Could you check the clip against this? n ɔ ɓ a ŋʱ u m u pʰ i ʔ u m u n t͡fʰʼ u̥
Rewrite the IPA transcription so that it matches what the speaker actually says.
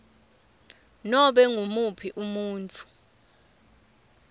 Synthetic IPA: n ɔ ɓ ɛ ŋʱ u m u pʰ i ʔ u m uː n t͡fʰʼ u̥